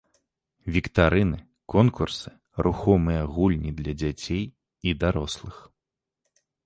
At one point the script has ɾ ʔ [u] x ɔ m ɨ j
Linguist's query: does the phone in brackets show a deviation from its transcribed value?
no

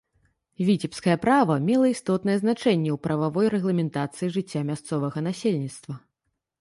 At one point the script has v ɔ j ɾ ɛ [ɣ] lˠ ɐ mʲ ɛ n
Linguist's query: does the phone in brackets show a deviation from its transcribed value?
no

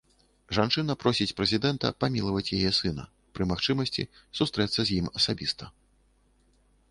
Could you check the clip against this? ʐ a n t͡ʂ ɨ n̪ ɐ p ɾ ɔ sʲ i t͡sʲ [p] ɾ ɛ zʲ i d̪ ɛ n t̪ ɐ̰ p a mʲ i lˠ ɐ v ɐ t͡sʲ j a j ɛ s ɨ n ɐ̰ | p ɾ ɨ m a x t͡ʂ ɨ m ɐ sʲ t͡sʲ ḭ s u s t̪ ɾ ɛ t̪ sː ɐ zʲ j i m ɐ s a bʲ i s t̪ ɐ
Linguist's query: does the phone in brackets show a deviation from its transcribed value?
no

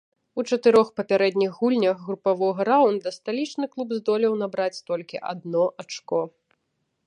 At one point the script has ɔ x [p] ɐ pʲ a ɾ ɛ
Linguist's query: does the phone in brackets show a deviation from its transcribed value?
no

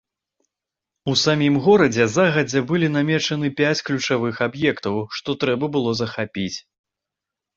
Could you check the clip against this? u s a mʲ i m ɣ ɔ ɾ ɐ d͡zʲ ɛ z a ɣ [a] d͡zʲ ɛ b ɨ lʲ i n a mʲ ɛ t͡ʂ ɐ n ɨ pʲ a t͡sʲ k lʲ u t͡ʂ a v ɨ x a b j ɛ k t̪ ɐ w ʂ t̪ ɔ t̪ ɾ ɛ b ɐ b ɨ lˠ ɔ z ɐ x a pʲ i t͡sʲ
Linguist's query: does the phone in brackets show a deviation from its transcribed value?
yes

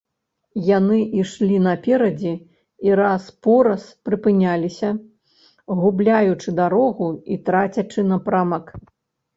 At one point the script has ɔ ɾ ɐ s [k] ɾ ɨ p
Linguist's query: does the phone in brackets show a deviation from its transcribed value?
yes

